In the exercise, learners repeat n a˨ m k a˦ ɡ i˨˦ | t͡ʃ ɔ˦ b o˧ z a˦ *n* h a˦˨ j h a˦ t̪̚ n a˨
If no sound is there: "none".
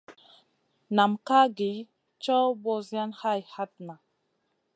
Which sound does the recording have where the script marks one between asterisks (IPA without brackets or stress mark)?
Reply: n